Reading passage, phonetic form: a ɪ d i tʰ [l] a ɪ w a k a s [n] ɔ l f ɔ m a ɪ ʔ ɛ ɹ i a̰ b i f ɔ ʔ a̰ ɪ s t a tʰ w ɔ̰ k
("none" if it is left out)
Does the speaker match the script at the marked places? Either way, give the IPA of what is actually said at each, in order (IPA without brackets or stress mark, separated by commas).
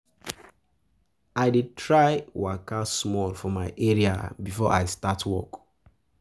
ɹ, m